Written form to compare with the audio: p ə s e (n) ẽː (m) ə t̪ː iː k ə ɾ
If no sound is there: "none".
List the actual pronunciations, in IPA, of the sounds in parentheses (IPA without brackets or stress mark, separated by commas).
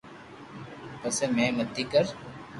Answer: m, m